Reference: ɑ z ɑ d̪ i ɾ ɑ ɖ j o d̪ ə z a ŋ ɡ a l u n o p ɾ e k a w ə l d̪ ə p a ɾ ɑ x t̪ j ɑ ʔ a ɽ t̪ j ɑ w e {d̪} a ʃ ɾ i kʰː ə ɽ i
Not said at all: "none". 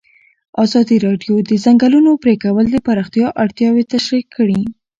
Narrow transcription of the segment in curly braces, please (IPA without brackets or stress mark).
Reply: t̪